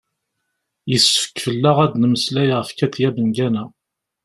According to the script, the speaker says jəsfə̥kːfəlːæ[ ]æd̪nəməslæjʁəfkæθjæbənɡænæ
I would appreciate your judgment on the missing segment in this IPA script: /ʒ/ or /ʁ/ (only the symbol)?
ʁ